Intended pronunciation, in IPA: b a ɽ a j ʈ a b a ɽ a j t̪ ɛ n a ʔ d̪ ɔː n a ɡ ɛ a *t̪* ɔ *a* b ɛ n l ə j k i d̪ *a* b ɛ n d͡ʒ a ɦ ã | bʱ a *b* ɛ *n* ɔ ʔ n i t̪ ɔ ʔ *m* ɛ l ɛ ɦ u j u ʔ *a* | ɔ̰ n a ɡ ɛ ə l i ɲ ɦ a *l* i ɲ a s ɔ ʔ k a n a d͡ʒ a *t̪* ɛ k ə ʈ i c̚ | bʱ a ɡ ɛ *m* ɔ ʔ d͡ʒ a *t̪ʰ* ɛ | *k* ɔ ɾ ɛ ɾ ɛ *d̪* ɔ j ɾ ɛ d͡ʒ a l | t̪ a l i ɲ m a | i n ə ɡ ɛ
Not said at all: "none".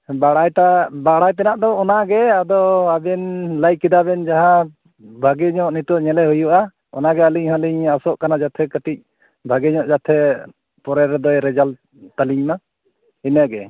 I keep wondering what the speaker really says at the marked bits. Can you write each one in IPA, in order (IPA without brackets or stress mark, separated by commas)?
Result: d̪, a, a, ɡ, ɲ, ɲ, a, l, t̪ʰ, ɲ, t̪ʰ, p, d̪